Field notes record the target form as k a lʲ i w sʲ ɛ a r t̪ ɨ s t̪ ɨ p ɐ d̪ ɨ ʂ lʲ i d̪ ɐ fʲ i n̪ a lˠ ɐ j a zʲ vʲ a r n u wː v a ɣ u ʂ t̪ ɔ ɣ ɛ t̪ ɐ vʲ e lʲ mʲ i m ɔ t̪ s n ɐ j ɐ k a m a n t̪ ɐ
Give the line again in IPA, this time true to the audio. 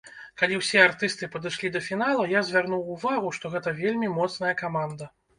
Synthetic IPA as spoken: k a lʲ i w sʲ ɛ a r t̪ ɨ s t̪ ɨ p ɐ d̪ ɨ ʂ lʲ i d̪ ɐ fʲ i n̪ a lˠ ɐ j a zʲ vʲ a r n u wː v a ɣ u ʂ t̪ ɔ ɣ ɛ t̪ ɐ vʲ e lʲ mʲ i m ɔ t̪ s n ɐ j ɐ k a m a n d̪ ɐ